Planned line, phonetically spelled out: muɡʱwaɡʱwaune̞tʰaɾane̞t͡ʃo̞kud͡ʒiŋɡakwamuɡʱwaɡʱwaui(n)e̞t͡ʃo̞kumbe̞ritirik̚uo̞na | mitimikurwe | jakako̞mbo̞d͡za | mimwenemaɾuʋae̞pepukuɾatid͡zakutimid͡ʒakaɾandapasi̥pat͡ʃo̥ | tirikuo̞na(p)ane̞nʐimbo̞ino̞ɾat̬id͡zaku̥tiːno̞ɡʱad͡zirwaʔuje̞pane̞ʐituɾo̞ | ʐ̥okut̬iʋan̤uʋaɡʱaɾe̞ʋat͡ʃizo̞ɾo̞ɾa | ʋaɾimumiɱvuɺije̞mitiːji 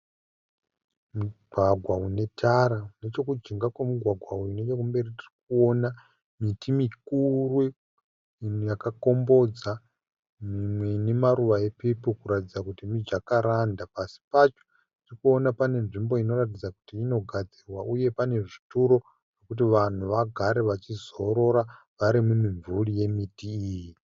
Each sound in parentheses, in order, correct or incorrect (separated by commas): correct, correct